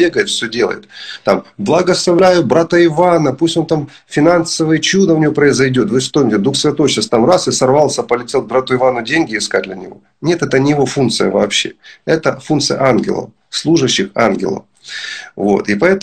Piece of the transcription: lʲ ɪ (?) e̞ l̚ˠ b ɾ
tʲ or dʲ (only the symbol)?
tʲ